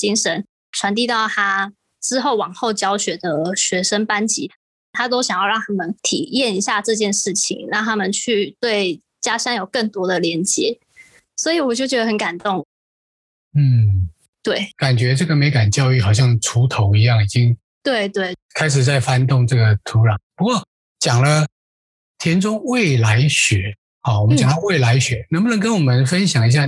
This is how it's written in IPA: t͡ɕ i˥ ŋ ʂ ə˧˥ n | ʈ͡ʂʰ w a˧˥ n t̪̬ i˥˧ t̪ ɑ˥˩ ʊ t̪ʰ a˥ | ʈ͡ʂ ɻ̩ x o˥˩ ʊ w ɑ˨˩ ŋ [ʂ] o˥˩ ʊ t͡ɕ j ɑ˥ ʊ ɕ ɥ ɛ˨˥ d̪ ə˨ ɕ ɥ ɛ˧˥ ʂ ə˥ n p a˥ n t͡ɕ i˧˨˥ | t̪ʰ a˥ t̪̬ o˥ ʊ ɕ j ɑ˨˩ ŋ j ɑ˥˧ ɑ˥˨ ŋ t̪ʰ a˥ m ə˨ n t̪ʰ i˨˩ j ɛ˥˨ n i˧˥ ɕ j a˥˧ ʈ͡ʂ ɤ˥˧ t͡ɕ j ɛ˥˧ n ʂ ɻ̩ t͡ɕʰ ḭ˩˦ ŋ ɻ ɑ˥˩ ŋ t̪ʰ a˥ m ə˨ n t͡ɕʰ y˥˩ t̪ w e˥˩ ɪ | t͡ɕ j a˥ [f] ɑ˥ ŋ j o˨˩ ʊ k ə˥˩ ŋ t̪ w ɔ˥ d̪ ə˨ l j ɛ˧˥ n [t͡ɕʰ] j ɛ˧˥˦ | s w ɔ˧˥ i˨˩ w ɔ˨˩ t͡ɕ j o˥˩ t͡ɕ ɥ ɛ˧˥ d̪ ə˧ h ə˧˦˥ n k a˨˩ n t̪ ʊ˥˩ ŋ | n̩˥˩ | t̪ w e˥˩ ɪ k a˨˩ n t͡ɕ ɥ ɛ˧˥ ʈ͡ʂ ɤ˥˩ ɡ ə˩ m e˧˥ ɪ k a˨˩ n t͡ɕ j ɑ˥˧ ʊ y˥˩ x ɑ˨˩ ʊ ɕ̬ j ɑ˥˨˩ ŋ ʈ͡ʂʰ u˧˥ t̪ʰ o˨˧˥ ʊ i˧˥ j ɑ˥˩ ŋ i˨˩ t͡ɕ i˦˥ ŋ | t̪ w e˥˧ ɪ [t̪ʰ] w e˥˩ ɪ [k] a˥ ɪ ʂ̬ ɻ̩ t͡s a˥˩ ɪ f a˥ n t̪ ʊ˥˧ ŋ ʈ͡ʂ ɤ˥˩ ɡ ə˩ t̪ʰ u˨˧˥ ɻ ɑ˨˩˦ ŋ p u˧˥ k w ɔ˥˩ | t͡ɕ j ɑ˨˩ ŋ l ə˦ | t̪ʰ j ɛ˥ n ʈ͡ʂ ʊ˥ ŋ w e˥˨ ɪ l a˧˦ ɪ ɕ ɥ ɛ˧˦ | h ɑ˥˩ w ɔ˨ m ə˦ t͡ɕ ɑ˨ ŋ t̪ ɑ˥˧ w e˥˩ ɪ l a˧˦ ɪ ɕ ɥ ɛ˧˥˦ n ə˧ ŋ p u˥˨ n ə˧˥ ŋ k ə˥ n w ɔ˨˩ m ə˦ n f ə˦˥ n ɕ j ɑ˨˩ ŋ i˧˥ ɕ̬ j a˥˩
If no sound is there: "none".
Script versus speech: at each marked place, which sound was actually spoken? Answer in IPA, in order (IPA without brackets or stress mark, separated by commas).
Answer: x, ʂ, t͡ɕ, t̪, kʰ